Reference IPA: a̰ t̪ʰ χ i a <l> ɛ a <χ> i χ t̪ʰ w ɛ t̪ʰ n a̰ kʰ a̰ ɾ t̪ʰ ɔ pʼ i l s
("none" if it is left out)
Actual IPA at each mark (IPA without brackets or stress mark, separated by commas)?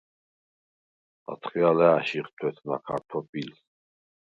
l, ʃ